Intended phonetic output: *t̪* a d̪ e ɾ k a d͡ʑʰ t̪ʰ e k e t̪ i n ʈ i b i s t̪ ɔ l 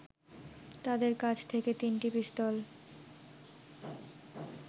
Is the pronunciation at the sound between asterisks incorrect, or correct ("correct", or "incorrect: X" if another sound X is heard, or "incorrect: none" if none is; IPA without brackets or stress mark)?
correct